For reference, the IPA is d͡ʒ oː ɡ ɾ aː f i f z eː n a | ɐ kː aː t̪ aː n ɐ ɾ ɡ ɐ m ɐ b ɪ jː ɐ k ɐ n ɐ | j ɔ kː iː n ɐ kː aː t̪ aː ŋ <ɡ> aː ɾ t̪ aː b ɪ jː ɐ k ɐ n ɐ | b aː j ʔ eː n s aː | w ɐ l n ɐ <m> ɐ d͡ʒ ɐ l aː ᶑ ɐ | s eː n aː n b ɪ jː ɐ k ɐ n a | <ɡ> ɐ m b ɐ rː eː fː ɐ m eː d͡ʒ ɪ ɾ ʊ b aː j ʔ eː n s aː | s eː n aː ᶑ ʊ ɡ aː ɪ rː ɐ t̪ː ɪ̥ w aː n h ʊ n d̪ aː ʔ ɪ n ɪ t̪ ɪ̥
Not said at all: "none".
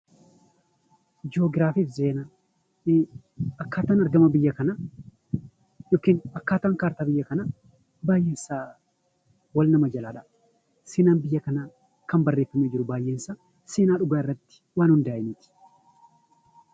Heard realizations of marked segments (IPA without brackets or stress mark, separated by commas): k, m, k